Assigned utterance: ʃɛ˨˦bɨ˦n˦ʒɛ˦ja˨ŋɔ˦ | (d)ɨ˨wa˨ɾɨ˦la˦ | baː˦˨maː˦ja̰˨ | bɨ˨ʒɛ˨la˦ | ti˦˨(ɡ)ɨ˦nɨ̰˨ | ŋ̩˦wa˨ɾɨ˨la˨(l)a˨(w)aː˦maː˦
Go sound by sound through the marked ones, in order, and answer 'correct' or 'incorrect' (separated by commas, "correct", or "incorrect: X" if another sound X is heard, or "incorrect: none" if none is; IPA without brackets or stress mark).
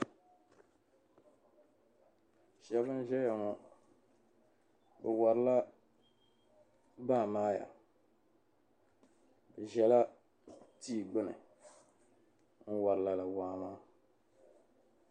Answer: incorrect: b, incorrect: ɡ͡b, correct, correct